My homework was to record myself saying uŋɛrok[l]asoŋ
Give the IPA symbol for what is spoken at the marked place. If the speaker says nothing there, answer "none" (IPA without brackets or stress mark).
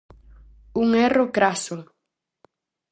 ɾ